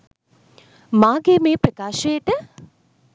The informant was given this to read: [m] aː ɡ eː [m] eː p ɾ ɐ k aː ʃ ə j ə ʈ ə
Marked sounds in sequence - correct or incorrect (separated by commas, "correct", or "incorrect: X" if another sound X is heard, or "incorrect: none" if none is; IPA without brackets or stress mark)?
correct, correct